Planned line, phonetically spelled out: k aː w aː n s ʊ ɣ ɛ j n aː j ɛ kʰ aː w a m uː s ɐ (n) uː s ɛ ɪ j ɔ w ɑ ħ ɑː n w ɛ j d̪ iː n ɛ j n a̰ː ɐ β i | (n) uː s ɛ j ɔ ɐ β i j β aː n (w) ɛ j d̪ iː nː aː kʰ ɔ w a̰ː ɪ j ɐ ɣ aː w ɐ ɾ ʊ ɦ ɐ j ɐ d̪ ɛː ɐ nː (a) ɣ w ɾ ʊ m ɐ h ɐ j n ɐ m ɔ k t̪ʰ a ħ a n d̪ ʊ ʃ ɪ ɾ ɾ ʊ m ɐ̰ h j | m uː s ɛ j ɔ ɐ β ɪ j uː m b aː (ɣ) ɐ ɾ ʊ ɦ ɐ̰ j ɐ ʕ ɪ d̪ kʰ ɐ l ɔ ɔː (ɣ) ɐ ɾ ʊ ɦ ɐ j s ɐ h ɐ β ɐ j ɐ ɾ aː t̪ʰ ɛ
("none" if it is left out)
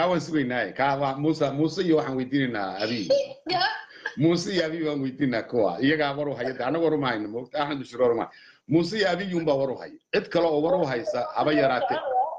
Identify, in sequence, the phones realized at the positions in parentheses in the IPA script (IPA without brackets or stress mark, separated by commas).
m, m, w, ɐ, w, w